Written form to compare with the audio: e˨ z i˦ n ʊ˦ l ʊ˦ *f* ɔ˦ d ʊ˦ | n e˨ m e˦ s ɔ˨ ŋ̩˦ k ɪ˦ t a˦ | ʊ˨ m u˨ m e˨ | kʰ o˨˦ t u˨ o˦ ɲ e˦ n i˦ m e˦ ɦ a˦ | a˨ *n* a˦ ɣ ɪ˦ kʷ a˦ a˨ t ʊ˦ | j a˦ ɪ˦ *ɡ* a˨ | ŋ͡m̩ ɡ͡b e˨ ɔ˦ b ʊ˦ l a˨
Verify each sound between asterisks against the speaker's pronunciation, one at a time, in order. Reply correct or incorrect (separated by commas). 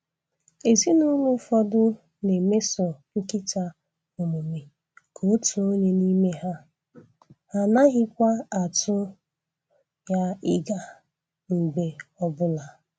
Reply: correct, correct, correct